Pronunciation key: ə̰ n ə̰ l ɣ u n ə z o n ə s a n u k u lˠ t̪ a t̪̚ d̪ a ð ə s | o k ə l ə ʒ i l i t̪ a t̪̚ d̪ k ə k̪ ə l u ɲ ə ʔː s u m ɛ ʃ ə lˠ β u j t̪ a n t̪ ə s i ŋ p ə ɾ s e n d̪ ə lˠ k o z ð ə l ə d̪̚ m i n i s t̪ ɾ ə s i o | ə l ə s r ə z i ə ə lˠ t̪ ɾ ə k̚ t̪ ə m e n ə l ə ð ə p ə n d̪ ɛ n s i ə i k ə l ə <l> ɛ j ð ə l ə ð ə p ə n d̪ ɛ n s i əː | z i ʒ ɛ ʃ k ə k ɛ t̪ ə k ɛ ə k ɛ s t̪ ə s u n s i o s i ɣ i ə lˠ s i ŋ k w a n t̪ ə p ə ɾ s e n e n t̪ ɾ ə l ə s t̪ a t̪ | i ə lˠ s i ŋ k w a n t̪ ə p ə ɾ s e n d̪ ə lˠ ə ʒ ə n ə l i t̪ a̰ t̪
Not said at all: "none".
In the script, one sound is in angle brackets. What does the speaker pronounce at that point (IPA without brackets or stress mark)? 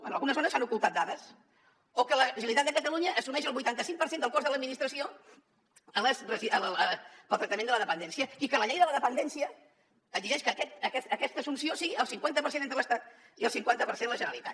ʎ